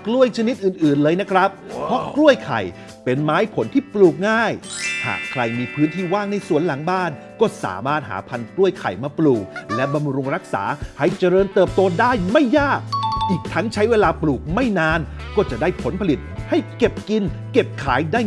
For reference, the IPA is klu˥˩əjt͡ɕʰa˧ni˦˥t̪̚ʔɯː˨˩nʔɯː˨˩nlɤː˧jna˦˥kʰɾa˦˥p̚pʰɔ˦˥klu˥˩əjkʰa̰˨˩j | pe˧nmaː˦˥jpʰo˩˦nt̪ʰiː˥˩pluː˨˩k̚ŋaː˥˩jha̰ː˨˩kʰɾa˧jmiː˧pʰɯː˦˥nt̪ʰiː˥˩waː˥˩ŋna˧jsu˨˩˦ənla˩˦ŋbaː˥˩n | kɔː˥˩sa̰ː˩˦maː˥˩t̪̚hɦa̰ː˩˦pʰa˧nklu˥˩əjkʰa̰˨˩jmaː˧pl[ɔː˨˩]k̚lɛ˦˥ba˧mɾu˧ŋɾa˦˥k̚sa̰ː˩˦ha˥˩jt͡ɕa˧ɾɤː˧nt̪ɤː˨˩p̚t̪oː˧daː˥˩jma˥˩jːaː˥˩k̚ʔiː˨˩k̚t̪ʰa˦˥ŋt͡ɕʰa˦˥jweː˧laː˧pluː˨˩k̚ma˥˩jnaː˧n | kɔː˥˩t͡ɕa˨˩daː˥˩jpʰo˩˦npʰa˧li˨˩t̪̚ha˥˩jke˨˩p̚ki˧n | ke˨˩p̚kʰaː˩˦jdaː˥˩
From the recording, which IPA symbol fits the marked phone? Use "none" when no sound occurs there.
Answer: uː˨˩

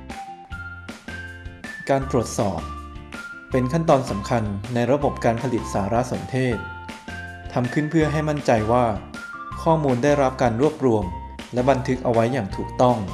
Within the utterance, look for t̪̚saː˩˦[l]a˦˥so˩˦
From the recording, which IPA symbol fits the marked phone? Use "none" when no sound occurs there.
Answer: ɾ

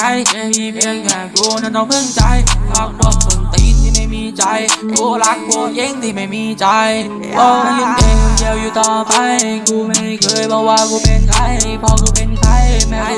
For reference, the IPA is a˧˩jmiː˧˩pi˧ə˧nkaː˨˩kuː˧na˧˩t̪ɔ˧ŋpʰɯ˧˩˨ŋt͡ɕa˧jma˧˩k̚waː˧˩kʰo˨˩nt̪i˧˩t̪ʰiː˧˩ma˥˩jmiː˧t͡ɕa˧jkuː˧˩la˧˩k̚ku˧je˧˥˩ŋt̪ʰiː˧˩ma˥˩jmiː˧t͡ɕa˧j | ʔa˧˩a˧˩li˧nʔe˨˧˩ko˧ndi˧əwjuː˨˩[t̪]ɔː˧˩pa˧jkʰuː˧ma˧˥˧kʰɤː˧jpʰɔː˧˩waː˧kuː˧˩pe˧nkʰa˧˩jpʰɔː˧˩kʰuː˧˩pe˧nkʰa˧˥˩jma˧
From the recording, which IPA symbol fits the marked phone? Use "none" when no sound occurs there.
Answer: t̪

